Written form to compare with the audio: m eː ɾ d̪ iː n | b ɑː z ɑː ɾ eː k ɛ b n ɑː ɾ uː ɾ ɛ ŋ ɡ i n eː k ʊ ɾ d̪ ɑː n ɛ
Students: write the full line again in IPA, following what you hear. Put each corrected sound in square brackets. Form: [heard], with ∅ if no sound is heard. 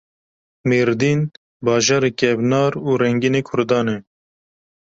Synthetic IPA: m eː ɾ d̪ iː n | b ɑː [ʒ] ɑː ɾ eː k ɛ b n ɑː ɾ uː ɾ ɛ ŋ ɡ i n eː [kʰ] ʊ ɾ d̪ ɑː n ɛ